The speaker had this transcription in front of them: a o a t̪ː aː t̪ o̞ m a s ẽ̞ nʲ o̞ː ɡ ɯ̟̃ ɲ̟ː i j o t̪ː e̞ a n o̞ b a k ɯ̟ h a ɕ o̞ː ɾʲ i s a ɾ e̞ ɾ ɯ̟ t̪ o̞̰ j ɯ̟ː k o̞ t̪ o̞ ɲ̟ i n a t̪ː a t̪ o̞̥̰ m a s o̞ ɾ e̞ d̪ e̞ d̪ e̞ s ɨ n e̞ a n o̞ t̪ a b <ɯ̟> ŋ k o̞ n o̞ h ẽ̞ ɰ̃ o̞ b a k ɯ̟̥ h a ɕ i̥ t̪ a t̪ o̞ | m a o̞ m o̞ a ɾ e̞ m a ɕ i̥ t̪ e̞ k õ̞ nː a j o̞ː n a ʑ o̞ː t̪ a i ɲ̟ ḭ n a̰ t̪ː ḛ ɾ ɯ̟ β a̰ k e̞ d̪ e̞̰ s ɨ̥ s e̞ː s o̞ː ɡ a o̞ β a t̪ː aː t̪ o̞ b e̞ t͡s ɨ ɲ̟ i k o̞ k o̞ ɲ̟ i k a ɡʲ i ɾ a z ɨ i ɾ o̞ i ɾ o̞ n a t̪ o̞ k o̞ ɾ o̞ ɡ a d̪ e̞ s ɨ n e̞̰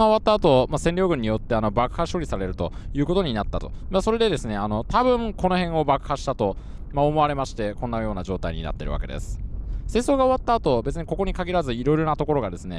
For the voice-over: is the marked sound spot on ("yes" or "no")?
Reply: no